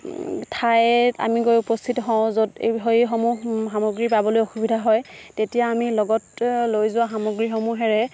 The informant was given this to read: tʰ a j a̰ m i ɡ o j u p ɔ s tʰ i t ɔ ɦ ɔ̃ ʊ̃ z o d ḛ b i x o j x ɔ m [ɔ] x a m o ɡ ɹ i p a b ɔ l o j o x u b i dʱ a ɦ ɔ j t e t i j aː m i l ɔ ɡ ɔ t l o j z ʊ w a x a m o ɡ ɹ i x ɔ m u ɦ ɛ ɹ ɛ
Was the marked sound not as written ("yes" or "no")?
yes